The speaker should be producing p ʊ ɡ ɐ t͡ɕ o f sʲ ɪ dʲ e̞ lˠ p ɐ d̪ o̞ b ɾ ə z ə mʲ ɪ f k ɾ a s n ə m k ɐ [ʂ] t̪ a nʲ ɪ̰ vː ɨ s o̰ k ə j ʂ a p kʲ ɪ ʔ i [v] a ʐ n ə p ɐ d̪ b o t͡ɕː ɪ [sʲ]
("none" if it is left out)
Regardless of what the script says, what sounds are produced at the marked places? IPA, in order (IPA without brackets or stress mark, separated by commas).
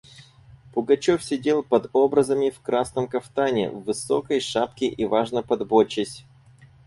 f, v, sʲ